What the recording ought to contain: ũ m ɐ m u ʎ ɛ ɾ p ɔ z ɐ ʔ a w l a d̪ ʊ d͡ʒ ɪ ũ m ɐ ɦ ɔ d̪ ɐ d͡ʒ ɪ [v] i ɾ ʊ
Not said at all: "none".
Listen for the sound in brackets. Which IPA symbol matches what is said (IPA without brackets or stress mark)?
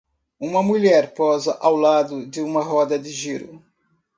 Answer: ʒ